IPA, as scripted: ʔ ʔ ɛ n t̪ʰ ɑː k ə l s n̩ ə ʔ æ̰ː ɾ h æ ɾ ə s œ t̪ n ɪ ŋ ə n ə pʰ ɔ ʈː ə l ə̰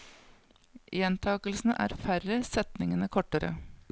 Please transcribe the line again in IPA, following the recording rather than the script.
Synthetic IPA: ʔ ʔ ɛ n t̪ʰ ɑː k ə l s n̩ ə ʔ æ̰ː ɾ f æ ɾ ə s ɛ t̪ n ɪ ŋ ə n ə kʰ ɔ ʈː ə ɾ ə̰